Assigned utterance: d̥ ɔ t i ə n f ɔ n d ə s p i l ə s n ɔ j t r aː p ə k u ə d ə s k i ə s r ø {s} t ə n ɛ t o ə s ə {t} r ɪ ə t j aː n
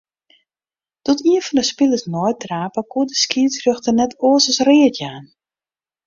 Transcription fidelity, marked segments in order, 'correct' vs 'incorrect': incorrect, incorrect

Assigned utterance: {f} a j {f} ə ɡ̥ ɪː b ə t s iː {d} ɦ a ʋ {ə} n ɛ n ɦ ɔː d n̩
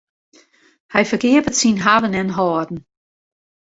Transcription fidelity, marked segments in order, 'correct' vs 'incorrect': incorrect, correct, incorrect, correct

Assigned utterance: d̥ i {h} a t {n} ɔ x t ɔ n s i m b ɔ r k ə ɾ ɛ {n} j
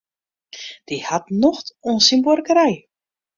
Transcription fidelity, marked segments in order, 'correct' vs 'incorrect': correct, correct, incorrect

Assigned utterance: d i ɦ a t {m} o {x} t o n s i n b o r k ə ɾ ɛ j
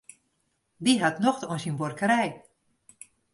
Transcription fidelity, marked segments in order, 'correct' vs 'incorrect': incorrect, correct

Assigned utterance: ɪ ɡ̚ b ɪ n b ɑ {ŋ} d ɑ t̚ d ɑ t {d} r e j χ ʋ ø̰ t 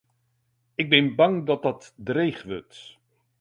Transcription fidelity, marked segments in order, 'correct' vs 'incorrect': correct, correct

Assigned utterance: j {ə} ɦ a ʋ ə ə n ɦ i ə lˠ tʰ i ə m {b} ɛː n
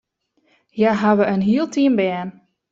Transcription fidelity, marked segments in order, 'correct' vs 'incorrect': incorrect, correct

